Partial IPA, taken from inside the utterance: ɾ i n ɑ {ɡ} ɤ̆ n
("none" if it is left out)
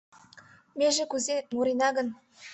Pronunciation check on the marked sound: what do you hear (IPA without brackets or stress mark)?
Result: ɡ